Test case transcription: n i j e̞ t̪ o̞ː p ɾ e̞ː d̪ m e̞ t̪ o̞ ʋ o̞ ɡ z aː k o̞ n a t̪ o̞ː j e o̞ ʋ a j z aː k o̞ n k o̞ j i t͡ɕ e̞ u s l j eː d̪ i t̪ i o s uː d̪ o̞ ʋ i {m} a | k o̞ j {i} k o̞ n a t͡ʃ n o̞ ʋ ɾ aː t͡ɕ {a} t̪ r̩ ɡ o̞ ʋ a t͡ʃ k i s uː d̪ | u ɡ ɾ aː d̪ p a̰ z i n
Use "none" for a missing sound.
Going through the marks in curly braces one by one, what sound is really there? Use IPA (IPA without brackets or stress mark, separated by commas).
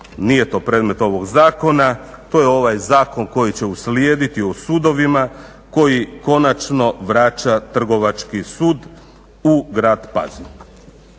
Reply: m, i, a